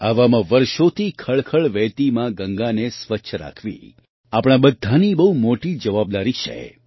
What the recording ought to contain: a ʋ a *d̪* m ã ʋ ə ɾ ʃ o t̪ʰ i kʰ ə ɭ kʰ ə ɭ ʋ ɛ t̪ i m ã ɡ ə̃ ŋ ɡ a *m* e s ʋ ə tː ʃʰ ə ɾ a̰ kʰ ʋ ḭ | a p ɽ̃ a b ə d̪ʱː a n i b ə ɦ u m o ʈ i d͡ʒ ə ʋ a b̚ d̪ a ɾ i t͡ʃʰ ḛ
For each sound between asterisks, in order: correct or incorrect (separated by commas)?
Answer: incorrect, incorrect